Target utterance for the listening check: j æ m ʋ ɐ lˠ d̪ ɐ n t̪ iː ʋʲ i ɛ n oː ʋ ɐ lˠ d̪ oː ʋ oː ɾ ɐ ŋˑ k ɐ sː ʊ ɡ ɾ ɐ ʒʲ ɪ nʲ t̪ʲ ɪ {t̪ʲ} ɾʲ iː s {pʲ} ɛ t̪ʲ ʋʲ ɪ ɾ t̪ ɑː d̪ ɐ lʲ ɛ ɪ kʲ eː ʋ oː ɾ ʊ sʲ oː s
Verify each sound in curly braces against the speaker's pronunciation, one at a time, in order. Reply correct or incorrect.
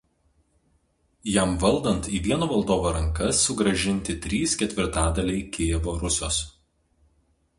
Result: correct, incorrect: kʲ

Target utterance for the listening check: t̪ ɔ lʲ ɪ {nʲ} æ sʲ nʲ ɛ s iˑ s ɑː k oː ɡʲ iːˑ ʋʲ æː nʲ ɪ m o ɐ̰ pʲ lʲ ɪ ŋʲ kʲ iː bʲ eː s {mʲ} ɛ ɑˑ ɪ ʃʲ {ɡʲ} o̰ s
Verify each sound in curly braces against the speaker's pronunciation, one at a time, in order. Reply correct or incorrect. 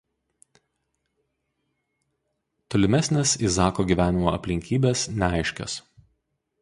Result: incorrect: mʲ, incorrect: nʲ, incorrect: kʲ

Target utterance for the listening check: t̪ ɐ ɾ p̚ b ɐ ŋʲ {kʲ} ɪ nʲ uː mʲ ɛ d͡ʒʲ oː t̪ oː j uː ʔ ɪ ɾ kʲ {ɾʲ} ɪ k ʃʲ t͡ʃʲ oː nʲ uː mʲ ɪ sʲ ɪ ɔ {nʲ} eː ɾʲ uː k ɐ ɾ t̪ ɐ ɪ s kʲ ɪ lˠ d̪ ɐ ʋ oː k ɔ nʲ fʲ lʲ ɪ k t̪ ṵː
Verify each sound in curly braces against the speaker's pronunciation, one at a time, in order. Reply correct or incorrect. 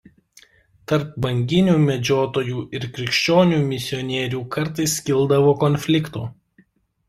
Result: incorrect: ɡʲ, correct, correct

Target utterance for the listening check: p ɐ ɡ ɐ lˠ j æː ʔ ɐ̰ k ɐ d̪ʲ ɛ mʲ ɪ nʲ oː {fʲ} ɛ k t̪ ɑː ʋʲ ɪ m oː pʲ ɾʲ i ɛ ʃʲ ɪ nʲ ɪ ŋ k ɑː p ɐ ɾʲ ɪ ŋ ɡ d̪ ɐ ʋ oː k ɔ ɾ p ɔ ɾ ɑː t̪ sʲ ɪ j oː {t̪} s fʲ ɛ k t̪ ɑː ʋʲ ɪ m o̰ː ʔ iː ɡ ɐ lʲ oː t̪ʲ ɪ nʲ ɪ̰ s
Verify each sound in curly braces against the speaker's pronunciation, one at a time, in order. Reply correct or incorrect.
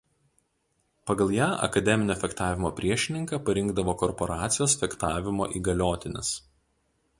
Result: correct, incorrect: none

